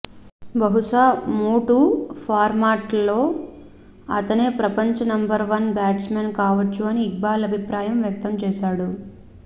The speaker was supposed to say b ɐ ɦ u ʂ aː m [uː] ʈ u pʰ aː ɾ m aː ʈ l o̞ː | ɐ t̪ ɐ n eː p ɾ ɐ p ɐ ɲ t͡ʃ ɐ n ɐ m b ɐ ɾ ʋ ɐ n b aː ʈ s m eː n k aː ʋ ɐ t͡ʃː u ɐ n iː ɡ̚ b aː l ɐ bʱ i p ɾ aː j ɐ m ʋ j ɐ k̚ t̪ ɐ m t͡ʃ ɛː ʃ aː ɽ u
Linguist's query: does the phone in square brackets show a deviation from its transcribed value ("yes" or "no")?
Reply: no